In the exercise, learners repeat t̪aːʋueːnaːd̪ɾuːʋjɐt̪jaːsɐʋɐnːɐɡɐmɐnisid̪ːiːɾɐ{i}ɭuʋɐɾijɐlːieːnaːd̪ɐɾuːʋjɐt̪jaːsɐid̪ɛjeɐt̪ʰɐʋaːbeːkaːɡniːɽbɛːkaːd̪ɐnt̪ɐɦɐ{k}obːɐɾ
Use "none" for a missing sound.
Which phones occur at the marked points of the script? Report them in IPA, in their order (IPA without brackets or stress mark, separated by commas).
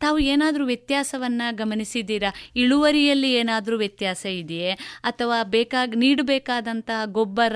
i, ɡ